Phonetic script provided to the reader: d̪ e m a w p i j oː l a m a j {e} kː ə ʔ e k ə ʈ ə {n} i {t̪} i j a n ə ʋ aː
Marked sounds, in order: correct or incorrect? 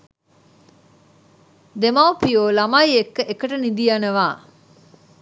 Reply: correct, correct, incorrect

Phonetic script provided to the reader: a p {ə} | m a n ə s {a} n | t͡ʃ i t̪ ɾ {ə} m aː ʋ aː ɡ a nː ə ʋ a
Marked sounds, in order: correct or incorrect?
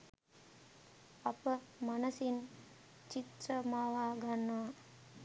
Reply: correct, incorrect, correct

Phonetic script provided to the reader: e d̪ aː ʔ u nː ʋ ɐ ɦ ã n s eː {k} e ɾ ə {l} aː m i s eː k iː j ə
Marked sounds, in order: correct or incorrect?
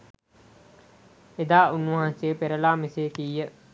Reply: incorrect, correct

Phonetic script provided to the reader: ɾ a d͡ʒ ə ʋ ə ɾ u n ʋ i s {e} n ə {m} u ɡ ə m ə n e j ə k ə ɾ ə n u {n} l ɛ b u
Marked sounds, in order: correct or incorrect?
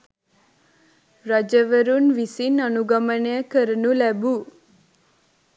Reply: incorrect, incorrect, incorrect

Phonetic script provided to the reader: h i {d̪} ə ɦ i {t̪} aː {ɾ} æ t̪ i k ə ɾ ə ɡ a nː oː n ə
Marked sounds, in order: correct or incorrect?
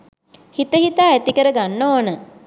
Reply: incorrect, correct, incorrect

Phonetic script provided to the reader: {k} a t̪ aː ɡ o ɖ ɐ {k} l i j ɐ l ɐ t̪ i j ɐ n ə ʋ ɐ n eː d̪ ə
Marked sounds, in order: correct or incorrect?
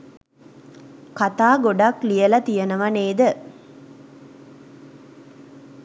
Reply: correct, correct

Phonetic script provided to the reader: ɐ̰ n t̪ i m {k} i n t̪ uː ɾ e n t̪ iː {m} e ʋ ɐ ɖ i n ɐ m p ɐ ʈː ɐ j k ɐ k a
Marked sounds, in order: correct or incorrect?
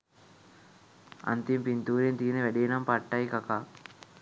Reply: incorrect, incorrect

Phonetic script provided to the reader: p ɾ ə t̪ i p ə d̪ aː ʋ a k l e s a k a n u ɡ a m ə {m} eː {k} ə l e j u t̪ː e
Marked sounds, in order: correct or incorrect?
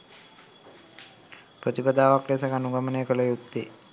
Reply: incorrect, correct

